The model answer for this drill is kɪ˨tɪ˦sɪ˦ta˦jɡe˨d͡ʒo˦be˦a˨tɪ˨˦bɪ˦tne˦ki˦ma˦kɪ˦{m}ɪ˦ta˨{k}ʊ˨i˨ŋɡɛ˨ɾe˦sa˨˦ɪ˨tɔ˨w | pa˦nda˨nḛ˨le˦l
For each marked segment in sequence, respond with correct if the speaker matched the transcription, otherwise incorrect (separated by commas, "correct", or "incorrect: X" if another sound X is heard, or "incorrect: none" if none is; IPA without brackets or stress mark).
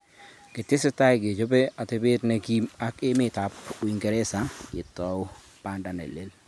correct, incorrect: p